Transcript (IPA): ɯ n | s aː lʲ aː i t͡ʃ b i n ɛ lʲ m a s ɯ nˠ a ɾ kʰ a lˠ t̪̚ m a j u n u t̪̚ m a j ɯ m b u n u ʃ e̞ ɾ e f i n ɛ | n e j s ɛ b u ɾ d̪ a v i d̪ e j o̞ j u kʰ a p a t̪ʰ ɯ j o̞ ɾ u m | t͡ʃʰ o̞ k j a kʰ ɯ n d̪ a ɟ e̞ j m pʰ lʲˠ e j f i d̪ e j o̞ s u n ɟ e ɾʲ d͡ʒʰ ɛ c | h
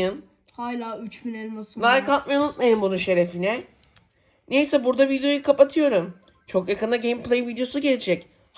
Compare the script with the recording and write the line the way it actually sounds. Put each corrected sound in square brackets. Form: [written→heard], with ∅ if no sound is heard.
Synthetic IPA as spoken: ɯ n | [s→h] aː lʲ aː [i→y] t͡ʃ b i n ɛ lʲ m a s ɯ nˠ a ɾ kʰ a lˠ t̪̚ m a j u n u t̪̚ m a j ɯ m b u n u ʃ e̞ ɾ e f i n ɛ | n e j s ɛ b u ɾ d̪ a v i d̪ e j o̞ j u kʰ a p a t̪ʰ ɯ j o̞ ɾ u m | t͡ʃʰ o̞ k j a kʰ ɯ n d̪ a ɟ e̞ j m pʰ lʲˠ e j [f→v] i d̪ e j o̞ s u [n→∅] ɟ e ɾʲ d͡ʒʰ ɛ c | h